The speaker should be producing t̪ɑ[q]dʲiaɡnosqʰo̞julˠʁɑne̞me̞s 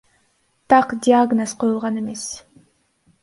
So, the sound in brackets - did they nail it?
yes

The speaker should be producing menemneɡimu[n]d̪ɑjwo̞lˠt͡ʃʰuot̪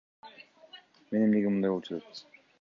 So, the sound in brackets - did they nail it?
yes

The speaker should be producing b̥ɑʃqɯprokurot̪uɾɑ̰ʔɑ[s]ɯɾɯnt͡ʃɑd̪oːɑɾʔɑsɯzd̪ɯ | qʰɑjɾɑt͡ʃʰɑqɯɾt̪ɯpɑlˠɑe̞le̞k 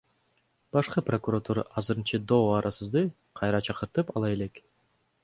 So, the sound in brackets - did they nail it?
no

